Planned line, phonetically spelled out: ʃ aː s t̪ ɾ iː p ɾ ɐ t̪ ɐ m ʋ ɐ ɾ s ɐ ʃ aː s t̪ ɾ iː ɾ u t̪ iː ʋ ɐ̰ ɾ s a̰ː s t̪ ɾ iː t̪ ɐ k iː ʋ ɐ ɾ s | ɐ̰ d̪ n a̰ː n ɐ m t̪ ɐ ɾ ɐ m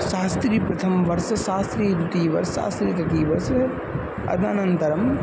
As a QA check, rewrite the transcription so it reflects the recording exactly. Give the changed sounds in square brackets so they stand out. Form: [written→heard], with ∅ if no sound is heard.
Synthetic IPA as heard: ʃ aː s t̪ ɾ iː p ɾ ɐ [t̪→t̪ʰ] ɐ m ʋ ɐ ɾ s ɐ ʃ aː s t̪ ɾ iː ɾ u t̪ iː ʋ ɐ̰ ɾ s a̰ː s t̪ ɾ iː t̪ ɐ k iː ʋ ɐ ɾ s | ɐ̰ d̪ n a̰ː n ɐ [m→n] t̪ ɐ ɾ ɐ m